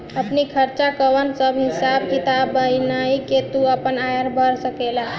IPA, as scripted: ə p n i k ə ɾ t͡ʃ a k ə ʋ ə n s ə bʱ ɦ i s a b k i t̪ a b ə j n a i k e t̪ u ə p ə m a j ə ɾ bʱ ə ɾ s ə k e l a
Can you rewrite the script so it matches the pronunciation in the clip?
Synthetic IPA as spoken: ə p n i kʰ ə ɾ t͡ʃ a k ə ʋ ə n s ə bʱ ɦ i s a b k i t̪ a b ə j n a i k e t̪ u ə p ə n a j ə ɾ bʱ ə ɾ s ə k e l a